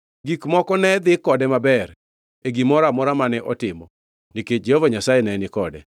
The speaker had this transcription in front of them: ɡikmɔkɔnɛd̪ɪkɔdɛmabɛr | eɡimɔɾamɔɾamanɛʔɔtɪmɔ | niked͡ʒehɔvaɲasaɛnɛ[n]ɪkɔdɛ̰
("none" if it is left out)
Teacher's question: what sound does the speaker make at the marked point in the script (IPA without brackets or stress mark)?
n